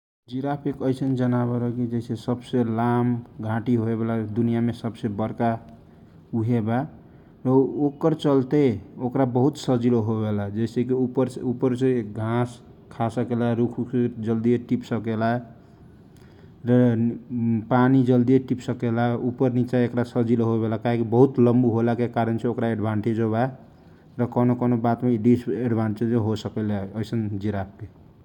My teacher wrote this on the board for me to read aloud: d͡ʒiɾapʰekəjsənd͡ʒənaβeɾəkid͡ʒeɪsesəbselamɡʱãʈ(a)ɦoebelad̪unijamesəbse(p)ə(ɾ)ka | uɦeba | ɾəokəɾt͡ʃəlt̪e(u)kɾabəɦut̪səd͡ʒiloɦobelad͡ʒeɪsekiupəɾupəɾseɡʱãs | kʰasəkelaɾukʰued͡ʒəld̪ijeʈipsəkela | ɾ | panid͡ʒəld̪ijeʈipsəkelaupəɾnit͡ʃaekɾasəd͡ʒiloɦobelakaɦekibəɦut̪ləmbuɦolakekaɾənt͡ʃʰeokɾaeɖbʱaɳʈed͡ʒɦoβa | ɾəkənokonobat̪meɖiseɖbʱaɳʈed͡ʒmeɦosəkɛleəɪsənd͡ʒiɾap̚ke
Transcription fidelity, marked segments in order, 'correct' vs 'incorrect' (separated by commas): incorrect, incorrect, correct, incorrect